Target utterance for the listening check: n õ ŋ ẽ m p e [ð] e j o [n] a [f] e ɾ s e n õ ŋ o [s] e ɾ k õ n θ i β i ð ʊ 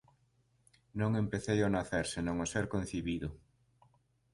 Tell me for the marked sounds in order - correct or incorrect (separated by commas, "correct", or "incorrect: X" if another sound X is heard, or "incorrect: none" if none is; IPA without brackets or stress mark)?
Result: incorrect: θ, correct, incorrect: θ, correct